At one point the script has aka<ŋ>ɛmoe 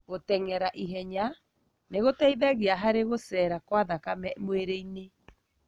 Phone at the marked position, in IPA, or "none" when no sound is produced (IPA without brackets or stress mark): m